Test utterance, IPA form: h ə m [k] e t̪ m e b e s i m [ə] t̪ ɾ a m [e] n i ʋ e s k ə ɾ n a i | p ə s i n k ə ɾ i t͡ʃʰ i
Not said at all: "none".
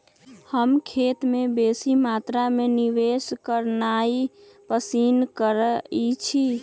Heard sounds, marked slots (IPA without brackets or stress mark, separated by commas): kʰ, a, e